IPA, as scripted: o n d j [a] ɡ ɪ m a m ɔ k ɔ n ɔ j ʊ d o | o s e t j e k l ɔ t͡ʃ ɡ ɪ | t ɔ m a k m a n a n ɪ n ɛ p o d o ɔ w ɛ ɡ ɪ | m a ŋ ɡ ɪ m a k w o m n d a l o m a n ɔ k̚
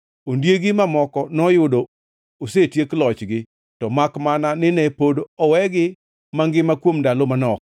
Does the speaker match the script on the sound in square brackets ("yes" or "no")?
no